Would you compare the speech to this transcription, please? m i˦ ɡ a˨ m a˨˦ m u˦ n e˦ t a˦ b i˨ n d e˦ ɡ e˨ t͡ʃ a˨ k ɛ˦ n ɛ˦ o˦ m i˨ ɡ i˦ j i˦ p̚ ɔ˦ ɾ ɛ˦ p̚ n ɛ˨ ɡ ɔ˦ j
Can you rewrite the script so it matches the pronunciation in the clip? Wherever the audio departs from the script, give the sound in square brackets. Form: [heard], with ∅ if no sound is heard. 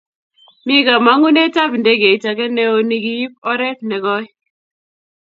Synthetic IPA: m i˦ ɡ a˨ m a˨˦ [ŋ] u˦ n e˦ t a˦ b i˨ n d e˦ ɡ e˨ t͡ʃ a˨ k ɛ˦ n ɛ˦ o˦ [n] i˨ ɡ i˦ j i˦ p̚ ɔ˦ ɾ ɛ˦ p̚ n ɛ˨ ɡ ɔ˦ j